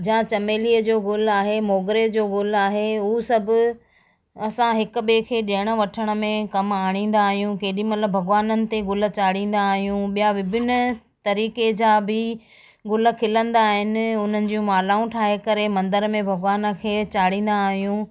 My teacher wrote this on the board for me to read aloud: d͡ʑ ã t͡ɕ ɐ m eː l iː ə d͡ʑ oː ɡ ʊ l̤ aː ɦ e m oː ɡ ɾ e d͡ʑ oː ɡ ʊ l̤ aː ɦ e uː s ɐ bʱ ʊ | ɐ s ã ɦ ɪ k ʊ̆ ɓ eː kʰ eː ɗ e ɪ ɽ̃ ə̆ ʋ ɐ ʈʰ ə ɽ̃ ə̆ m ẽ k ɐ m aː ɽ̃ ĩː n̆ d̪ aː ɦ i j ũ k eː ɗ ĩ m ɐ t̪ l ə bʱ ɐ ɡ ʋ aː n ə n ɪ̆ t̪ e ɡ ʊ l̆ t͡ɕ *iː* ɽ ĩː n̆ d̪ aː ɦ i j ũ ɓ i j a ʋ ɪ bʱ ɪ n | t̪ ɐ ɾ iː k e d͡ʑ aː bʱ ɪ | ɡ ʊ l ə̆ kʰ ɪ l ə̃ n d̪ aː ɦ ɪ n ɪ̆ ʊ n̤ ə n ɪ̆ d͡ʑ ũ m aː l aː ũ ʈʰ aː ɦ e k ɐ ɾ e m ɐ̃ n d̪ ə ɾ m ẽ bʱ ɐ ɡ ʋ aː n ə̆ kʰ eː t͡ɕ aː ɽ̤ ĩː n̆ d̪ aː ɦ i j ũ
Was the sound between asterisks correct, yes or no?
no